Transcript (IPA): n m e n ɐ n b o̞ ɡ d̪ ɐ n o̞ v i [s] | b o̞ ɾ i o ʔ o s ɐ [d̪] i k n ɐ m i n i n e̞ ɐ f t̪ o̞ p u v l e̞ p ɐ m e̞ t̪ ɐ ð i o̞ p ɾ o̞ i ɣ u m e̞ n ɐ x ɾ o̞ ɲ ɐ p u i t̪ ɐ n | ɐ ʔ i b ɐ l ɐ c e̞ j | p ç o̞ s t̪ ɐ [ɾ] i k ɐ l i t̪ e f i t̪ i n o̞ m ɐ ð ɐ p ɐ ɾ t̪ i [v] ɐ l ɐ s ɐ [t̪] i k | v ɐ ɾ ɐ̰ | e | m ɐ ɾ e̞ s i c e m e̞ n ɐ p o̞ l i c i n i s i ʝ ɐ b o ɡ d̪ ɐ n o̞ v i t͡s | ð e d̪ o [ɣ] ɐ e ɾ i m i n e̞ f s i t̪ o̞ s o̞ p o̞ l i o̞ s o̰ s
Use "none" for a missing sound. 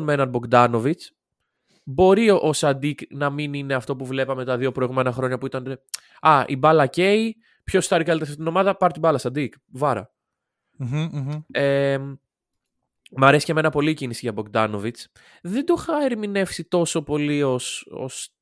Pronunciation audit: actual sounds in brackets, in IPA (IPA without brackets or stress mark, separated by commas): t͡s, d̪, ɾ, b, d̪, x